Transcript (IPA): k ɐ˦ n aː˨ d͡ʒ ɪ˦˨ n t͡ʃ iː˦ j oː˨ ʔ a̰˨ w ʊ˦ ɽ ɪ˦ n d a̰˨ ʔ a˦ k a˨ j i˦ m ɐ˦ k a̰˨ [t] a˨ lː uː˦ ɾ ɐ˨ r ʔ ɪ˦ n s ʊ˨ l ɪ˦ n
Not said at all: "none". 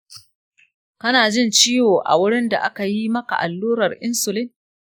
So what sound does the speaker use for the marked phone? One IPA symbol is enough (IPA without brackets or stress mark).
ʔ